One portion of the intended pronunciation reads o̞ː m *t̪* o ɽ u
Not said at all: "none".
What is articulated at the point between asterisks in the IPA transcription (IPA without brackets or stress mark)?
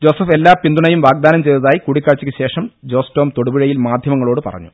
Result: t̪